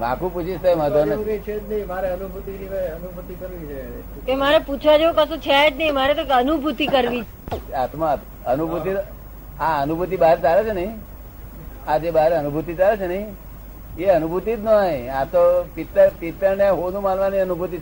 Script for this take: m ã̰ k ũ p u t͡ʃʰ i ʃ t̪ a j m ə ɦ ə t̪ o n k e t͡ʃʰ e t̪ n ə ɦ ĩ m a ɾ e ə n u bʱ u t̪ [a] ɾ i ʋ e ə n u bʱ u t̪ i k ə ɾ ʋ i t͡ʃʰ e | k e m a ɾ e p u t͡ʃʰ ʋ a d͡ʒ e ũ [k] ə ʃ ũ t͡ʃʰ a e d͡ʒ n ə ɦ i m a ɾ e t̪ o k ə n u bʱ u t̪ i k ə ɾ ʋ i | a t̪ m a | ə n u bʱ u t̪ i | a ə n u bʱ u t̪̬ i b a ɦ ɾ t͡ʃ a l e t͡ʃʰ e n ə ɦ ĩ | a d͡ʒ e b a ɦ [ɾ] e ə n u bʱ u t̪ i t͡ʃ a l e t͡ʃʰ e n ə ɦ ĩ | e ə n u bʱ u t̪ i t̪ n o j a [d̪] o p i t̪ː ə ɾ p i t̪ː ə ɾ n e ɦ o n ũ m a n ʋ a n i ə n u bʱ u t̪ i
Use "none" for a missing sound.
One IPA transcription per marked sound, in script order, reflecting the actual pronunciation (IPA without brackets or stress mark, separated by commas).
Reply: i, k, ɾ, t̪